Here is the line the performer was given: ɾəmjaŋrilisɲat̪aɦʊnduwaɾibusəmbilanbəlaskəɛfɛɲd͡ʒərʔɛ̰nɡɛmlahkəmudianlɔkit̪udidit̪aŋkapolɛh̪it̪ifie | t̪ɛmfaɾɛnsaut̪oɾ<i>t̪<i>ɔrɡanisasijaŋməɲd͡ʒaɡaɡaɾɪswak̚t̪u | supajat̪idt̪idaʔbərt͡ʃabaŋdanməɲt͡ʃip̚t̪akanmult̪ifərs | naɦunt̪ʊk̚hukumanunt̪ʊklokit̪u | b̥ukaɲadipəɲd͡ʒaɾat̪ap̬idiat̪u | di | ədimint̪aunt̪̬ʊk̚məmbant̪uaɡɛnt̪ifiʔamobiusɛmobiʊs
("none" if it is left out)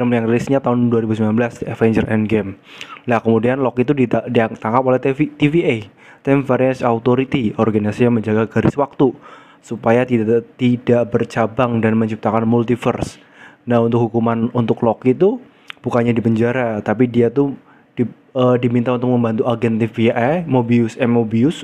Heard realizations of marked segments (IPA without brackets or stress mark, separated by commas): i, i